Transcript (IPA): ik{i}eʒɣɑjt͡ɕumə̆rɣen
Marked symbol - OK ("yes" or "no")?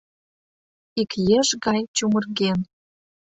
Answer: no